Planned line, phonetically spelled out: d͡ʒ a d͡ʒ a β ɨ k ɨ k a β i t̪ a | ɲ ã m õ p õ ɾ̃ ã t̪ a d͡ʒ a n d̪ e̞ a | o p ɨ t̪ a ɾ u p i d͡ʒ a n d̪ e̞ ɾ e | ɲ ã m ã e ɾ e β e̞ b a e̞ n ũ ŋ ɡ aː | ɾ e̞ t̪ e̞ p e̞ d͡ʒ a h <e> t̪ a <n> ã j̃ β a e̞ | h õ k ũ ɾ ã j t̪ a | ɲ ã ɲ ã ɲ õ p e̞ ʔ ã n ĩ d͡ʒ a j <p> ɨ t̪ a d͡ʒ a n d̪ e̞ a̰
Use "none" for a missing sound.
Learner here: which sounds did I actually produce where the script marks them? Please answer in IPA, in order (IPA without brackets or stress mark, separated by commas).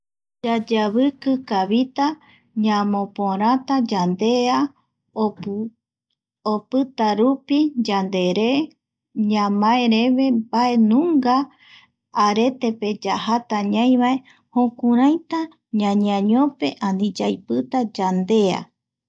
a, ɲ, p